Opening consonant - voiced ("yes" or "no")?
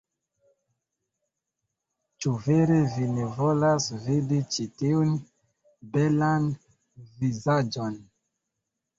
no